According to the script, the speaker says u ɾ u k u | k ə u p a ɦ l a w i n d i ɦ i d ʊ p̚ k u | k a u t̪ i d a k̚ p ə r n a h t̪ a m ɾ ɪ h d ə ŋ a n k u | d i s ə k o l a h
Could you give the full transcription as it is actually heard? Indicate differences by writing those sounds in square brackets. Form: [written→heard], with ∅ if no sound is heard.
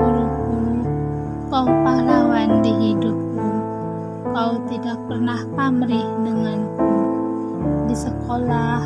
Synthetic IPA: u ɾ u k u | k [ə→a] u p a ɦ l a w [i→a] n d i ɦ i d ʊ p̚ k u | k a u t̪ i d a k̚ p ə r n a h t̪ a m ɾ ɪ h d ə ŋ a n k u | d i s ə k o l a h

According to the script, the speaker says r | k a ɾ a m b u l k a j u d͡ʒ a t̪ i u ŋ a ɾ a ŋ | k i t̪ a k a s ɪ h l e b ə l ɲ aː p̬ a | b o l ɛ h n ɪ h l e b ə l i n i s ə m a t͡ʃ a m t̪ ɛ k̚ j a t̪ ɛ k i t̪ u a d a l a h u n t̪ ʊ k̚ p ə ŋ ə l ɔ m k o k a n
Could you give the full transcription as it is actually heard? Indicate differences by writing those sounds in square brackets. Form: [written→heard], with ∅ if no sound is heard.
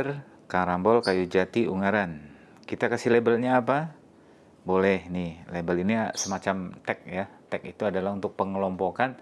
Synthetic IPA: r | k a ɾ a m b [u→ɔ] l k a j u d͡ʒ a t̪ i u ŋ a ɾ a [ŋ→n] | k i t̪ a k a s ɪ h l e b ə l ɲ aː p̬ a | b o l ɛ h n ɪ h l e b ə l i n i s ə m a t͡ʃ a m t̪ ɛ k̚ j a t̪ ɛ k i t̪ u a d a l a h u n t̪ ʊ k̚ p ə ŋ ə l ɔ m [k→p] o k a n

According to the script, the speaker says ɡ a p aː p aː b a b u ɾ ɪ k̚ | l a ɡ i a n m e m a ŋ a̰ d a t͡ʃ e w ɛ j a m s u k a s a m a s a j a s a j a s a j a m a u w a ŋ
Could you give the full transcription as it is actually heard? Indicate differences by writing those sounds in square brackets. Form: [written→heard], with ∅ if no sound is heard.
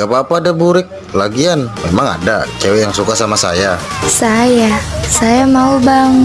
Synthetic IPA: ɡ a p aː p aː [b→d] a b u ɾ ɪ k̚ | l a ɡ i a n m e m a ŋ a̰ d a t͡ʃ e w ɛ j a [m→ŋ] s u k a s a m a s a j a s a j a s a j a m a u [w→b] a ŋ

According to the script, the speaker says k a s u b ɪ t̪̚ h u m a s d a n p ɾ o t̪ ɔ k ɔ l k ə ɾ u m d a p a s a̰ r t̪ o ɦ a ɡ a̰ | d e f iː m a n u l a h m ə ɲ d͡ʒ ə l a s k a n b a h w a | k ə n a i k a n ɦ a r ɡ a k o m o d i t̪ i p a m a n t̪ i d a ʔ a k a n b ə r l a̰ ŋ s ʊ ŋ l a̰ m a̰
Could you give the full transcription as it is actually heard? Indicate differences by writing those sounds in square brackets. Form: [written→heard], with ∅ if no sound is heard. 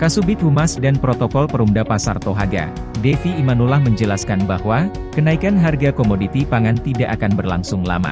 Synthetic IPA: k a s u b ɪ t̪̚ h u m a s d a n p ɾ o t̪ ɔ k ɔ l [k→p] ə ɾ u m d a p a s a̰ r t̪ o ɦ a ɡ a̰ | d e f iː m a n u l a h m ə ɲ d͡ʒ ə l a s k a n b a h w a | k ə n a i k a n ɦ a r ɡ a k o m o d i t̪ i p a [m→ŋ] a n t̪ i d a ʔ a k a n b ə r l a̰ ŋ s ʊ ŋ l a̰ m a̰

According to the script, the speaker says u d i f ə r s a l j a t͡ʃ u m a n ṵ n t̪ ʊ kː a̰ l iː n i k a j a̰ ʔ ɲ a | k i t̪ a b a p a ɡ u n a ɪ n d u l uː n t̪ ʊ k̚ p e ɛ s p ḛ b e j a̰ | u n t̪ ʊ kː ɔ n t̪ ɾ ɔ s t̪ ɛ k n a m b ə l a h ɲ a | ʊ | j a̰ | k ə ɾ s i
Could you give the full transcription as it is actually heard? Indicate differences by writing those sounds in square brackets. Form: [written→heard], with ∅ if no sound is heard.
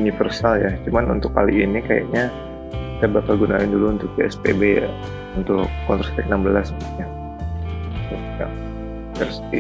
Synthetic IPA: u [d→n] i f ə r s a l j a t͡ʃ u m a n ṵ n t̪ ʊ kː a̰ l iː n i k a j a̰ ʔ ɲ a | k i t̪ a b a p a ɡ u n a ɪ n d u l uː n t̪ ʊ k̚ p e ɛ s p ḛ b e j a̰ | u n t̪ ʊ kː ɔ n t̪ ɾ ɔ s t̪ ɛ k n a m b ə l a [h→s] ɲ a | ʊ | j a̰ | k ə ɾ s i

